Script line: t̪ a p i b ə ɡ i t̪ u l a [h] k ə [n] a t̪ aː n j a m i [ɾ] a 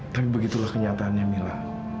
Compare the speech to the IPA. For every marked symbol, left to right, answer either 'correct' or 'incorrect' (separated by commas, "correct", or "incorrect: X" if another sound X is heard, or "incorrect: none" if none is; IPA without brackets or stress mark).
correct, incorrect: ɲ, incorrect: l